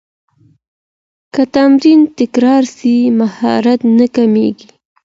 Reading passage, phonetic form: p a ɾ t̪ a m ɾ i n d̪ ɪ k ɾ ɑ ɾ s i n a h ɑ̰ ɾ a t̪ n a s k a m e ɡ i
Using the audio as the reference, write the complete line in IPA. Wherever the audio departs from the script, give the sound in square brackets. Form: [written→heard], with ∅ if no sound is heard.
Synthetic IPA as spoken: [p→k] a [ɾ→∅] t̪ a m ɾ i n [d̪→t̪] ɪ k ɾ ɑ ɾ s i [n→m] a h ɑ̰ ɾ a t̪ n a [s→∅] k a m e ɡ i